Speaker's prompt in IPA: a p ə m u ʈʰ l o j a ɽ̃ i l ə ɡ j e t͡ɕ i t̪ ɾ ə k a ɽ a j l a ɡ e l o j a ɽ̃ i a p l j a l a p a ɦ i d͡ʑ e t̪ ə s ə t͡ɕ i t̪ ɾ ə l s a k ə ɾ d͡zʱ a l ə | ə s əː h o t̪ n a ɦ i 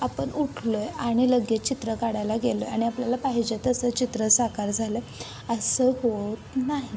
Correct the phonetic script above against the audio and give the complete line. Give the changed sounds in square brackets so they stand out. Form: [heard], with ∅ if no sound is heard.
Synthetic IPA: a p ə [ɳ] u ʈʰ l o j a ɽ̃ i l ə ɡ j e t͡ɕ i t̪ ɾ ə k a ɽ a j l a ɡ e l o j a ɽ̃ i a p l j a l a p a ɦ i d͡ʑ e t̪ ə s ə t͡ɕ i t̪ ɾ ə [∅] s a k [a] ɾ d͡zʱ a l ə | ə s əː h o t̪ n a ɦ i